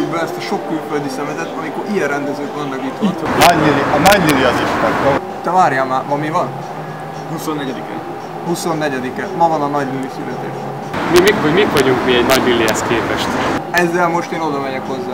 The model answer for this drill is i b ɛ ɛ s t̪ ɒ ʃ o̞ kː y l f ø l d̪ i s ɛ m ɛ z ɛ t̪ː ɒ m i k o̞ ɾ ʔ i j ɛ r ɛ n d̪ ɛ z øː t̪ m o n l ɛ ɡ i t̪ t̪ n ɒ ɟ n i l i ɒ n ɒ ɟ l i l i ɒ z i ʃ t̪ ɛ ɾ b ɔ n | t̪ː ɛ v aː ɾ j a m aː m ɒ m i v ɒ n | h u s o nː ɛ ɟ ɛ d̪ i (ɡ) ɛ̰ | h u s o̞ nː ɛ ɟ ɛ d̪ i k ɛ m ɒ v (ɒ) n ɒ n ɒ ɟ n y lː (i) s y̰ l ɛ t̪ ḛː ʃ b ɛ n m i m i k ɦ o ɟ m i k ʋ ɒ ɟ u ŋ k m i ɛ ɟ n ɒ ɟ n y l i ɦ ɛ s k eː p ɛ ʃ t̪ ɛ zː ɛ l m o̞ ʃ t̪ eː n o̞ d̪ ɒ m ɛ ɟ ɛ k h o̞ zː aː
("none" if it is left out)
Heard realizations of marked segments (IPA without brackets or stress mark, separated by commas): k, ɒ, i